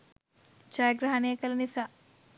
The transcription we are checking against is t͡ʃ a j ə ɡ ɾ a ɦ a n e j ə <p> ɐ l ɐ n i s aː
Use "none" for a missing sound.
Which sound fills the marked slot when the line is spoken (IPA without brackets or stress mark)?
k